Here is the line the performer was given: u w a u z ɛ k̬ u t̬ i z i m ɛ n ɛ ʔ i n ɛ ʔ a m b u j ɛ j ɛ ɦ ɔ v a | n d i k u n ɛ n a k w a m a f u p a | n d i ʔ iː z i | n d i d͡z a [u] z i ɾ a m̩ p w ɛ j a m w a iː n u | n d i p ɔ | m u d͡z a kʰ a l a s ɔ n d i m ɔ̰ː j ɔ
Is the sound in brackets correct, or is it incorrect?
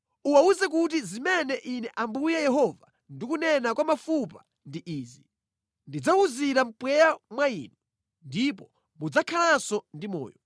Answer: correct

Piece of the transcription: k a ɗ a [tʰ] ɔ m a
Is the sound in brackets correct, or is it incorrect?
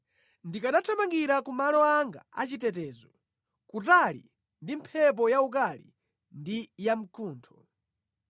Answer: correct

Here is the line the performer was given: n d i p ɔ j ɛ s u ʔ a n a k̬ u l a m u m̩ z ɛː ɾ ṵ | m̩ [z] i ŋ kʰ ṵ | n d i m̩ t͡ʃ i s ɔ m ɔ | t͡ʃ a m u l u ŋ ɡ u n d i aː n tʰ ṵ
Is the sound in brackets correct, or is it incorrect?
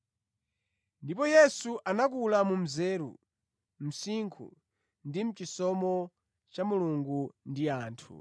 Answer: incorrect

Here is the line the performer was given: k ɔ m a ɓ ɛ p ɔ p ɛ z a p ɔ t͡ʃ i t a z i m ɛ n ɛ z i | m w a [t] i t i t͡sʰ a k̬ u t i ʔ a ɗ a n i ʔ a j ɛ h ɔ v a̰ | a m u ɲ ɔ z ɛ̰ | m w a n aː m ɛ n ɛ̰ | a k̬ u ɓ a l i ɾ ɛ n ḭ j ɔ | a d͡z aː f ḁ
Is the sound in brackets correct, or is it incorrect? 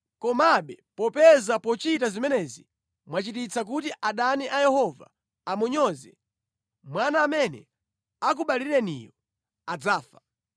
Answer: incorrect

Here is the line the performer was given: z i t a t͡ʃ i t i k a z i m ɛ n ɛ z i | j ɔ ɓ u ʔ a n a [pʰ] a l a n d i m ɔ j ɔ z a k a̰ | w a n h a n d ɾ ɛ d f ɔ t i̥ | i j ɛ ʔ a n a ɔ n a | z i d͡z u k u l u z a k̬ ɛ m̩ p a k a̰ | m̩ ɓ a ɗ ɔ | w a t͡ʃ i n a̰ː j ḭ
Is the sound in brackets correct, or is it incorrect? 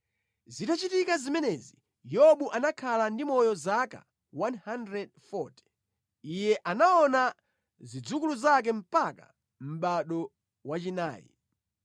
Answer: incorrect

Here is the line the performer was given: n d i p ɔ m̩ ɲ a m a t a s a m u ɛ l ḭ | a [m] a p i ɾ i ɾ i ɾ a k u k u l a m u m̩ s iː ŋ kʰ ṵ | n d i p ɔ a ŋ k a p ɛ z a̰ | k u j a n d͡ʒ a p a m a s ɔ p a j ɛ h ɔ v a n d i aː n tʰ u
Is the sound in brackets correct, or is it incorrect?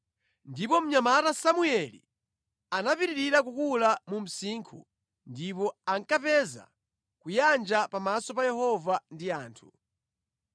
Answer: incorrect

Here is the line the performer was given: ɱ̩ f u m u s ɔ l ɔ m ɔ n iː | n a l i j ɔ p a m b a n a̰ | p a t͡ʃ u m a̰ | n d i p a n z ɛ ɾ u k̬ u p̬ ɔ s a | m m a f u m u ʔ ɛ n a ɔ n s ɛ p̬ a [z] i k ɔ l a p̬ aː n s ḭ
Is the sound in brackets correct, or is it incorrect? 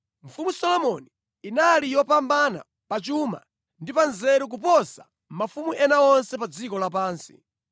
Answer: incorrect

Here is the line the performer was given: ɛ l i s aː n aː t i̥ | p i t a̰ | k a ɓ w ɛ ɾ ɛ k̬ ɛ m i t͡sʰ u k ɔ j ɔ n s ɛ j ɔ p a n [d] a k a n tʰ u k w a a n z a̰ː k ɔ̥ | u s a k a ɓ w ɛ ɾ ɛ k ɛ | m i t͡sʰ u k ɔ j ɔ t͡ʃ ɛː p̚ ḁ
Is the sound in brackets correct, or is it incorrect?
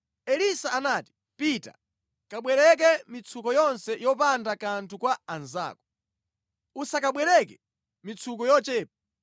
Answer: correct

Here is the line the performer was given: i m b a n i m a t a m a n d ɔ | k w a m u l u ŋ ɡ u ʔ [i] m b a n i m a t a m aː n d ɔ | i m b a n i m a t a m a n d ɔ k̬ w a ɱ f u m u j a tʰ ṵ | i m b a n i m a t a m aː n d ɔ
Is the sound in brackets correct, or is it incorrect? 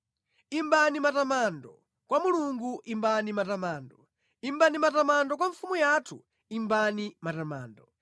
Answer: correct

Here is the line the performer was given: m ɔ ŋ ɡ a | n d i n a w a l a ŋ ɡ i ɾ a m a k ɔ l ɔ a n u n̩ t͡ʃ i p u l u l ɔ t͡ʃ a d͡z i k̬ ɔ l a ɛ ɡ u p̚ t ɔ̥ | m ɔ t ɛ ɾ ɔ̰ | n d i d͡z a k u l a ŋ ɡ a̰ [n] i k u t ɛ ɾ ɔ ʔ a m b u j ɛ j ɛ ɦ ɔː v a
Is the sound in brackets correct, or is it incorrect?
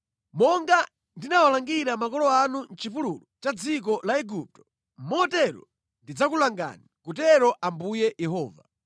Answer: correct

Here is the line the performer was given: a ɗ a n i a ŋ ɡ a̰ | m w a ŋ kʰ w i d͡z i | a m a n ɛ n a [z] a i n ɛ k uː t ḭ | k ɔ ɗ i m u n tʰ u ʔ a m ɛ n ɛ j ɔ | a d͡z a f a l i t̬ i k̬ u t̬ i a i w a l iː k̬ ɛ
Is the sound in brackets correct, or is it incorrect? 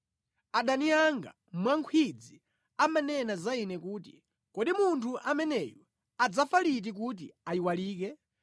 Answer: correct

